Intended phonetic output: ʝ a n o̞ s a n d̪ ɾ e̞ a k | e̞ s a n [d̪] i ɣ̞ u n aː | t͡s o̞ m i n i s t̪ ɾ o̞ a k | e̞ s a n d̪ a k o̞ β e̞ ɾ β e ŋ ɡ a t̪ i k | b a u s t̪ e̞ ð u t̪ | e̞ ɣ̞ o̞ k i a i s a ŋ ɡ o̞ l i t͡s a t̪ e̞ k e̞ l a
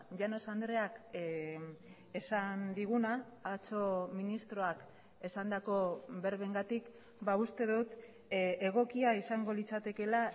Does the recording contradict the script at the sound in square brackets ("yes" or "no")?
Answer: no